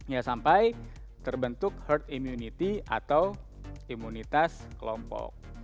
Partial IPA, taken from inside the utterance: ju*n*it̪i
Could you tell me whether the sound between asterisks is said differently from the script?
no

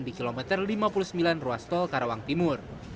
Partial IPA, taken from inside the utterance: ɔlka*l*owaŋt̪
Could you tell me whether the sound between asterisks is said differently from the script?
yes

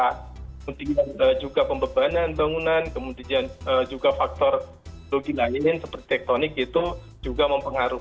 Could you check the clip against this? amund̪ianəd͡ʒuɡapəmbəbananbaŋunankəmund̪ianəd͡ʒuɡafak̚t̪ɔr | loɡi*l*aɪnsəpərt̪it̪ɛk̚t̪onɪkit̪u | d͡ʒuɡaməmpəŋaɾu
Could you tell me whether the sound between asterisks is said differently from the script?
no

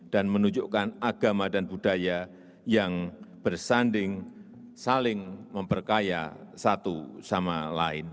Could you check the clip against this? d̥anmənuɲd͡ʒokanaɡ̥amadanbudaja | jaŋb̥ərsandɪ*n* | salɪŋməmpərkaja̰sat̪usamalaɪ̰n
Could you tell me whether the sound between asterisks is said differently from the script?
yes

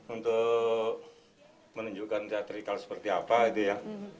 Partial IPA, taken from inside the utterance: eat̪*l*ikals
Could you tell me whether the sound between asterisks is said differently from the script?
yes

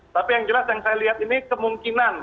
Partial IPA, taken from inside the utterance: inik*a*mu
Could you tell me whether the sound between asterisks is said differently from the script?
yes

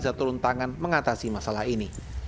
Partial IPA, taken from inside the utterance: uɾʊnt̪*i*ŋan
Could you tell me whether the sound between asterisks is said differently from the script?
yes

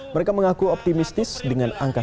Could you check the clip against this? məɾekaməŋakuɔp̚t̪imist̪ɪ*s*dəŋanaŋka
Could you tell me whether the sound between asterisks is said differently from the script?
no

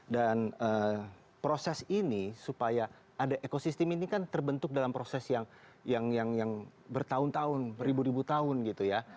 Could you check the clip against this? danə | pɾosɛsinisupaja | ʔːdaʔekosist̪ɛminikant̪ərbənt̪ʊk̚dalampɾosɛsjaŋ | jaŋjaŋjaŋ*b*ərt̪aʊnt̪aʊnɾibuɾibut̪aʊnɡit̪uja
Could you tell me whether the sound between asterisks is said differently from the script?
no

